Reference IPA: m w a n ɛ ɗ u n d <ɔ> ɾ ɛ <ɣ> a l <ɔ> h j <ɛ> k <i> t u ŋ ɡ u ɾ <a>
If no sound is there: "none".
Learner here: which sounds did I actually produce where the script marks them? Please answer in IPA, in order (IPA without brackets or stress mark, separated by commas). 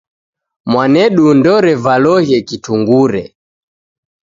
ɔ, v, ɔ, ɛ, i, ɛ